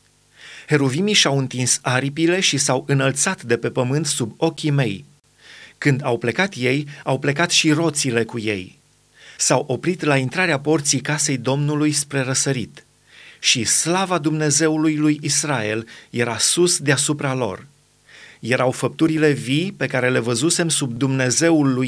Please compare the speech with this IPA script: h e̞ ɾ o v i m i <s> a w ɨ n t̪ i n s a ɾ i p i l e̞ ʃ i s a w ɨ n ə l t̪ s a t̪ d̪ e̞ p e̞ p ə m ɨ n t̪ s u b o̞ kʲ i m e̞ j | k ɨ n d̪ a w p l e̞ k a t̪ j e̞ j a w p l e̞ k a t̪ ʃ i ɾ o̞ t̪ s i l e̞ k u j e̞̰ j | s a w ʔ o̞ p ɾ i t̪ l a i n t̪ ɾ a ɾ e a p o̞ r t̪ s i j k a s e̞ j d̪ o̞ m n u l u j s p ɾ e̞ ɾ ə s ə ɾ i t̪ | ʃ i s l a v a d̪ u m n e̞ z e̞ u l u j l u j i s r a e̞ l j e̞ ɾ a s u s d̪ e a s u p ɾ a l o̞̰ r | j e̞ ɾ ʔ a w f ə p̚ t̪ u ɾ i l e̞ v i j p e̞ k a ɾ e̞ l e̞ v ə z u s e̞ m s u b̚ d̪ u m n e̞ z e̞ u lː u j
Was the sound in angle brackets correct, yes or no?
no